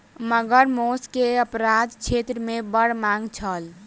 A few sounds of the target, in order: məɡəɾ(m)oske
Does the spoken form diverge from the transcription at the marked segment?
no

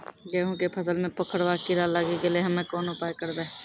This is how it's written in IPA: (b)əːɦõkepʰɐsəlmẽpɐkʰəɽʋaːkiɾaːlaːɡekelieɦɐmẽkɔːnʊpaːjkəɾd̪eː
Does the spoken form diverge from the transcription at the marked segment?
yes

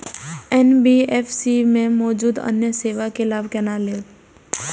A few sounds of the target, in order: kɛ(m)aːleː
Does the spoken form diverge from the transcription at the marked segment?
yes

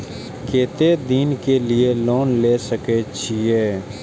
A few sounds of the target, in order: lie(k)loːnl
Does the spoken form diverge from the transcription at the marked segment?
yes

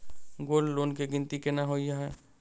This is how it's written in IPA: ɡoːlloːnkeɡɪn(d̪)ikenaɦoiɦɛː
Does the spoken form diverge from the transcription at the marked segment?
yes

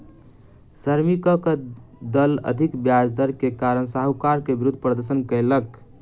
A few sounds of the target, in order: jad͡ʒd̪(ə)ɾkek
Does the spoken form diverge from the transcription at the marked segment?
no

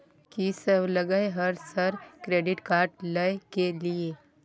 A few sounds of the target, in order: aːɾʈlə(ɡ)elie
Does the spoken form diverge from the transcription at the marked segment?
yes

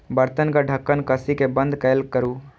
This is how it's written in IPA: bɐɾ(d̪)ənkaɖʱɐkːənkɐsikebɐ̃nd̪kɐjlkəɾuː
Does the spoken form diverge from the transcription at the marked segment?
yes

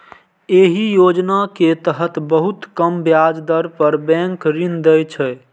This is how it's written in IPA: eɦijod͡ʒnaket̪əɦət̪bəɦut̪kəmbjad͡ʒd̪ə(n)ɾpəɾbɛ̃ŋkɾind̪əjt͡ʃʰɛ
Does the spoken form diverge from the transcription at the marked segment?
yes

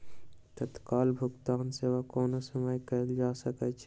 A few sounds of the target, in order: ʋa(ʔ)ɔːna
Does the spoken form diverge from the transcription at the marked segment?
yes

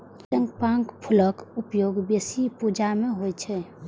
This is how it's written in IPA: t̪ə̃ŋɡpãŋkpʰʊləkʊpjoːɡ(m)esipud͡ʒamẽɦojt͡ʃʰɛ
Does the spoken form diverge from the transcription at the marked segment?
yes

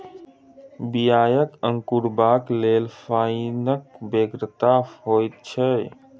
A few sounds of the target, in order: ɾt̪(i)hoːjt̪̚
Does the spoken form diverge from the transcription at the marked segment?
yes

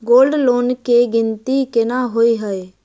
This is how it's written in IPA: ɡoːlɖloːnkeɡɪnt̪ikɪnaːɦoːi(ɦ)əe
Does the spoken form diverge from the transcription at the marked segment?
no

